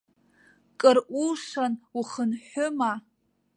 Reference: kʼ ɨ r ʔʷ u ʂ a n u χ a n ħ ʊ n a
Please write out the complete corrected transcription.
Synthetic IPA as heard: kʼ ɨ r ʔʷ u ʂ a n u χ ə n ħ ʊ m a